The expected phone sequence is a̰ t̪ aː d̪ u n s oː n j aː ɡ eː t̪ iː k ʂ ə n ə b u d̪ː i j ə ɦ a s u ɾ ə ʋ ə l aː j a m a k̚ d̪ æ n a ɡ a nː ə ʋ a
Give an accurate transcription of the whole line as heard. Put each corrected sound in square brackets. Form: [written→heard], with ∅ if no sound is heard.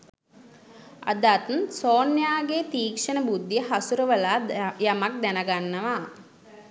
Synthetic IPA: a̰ [t̪→d̪] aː [d̪→t̪] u n s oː n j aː ɡ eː t̪ iː k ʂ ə n ə b u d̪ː i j ə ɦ a s u ɾ ə ʋ ə l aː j a m a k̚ d̪ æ n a ɡ a nː ə ʋ a